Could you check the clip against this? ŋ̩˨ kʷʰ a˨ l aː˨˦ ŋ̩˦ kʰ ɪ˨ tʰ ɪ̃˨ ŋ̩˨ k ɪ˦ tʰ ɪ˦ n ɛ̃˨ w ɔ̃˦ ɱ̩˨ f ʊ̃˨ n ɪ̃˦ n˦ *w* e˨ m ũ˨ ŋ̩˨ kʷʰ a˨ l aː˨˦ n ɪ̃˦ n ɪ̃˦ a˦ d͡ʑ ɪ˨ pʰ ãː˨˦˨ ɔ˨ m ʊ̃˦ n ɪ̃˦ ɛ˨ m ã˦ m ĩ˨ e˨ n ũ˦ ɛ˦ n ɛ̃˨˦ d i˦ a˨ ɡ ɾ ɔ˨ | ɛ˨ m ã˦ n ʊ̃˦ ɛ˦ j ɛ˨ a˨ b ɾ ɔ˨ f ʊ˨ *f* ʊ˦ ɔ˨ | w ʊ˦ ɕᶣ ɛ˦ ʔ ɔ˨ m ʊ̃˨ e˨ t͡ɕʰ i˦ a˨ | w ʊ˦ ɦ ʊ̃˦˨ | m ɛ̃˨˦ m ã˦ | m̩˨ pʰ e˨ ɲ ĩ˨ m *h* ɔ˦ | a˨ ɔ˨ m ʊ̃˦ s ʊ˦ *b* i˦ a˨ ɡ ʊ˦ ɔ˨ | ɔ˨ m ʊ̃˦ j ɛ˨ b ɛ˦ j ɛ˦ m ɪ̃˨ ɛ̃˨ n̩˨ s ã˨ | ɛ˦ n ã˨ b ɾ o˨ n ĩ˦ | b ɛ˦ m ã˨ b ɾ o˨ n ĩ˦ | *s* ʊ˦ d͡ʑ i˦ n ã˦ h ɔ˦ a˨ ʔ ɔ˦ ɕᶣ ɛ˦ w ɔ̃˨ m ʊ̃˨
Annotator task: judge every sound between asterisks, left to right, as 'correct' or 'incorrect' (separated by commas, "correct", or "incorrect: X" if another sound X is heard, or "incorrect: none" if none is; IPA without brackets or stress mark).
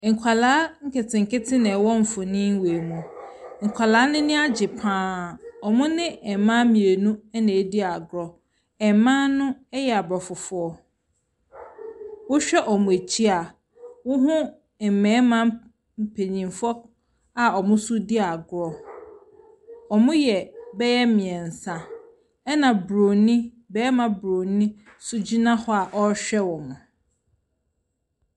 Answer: correct, correct, incorrect: f, incorrect: d, correct